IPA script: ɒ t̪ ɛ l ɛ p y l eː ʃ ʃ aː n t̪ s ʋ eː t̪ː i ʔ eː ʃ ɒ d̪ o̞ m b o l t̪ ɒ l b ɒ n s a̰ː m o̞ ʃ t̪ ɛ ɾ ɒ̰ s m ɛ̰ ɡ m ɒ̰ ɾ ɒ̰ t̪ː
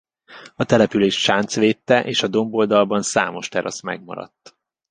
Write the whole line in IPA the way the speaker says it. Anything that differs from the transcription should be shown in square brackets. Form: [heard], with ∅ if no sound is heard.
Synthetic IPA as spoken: ɒ t̪ ɛ l ɛ p y l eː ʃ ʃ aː n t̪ s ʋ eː t̪ː [ɛ] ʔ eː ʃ ɒ d̪ o̞ m b o l [d̪] ɒ l b ɒ n s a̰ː m o̞ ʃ t̪ ɛ ɾ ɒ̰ s m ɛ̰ ɡ m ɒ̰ ɾ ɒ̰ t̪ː